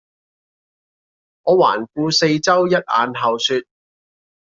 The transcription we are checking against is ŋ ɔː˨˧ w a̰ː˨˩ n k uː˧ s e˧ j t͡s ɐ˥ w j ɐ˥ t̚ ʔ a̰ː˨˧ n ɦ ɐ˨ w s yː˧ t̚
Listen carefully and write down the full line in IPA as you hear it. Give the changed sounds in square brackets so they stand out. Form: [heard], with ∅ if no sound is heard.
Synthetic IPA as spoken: ŋ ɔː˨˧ w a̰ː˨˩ n k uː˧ s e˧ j t͡s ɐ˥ w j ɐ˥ t̚ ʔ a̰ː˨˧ n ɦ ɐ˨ w s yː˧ t̚